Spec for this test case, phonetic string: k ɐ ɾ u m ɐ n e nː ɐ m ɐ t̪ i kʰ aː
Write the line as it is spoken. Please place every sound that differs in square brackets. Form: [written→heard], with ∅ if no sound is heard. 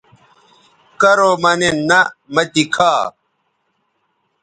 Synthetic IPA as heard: k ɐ ɾ [u→o] m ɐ n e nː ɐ m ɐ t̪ i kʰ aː